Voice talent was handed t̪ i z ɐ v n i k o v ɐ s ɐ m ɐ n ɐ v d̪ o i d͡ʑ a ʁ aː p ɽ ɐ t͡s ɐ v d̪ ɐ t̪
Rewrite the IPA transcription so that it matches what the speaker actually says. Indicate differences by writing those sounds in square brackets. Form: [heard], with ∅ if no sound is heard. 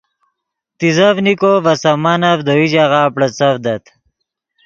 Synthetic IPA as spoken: t̪ i z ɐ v n i k o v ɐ s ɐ m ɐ n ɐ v d̪ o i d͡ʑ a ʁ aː p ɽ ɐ t͡s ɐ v d̪ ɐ t̪